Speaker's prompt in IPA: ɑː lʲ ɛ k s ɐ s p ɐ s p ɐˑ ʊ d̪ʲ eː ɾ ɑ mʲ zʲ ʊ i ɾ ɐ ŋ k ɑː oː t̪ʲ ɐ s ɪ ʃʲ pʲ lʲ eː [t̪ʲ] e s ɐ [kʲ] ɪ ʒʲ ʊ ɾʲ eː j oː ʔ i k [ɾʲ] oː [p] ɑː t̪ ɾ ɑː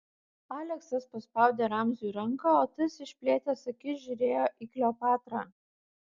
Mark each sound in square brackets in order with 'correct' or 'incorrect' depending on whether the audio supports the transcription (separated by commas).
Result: correct, correct, incorrect, correct